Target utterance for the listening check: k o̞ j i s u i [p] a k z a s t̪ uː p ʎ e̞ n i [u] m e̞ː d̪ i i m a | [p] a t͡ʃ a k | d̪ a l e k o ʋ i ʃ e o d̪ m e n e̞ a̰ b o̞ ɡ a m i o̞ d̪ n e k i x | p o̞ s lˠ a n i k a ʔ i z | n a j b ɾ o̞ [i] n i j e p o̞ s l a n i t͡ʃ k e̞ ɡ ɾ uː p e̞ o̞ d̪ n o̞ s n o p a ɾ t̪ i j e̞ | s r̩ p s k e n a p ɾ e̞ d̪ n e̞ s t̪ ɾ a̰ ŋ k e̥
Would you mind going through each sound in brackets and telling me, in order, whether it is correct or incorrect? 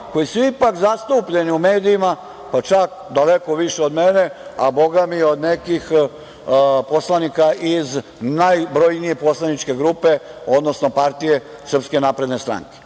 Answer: correct, correct, correct, incorrect: j

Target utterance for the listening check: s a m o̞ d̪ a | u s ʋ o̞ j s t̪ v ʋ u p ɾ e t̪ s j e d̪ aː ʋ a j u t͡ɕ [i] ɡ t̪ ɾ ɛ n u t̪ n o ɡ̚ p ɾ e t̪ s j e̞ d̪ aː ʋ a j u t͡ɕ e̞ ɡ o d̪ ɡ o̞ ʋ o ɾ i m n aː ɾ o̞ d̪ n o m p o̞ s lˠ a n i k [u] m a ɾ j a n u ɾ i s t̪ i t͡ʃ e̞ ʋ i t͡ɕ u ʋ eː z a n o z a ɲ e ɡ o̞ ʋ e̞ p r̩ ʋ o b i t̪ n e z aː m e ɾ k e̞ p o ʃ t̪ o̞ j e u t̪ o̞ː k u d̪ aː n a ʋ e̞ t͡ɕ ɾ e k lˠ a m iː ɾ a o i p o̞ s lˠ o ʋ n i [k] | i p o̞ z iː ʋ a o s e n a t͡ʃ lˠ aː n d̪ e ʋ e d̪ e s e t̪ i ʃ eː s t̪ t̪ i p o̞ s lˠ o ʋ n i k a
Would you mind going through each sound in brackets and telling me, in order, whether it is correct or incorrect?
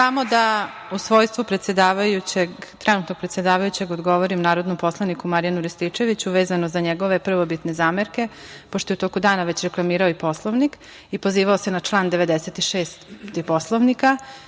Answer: incorrect: e, correct, correct

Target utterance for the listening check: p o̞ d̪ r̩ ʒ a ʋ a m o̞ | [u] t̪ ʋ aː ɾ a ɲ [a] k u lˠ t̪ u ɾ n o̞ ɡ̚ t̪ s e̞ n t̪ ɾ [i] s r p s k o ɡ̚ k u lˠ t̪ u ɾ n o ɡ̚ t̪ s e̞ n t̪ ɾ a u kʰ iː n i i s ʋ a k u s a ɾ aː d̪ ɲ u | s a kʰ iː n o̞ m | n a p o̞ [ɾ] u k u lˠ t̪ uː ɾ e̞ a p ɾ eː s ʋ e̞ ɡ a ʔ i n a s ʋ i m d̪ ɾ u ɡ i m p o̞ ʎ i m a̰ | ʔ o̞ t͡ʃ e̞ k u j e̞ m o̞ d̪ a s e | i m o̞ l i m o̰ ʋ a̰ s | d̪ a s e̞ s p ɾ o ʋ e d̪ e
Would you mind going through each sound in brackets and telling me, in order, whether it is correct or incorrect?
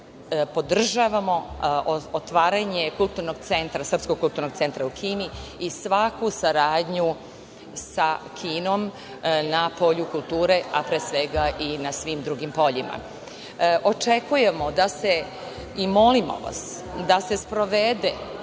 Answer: incorrect: o, incorrect: e, incorrect: a, incorrect: ʎ

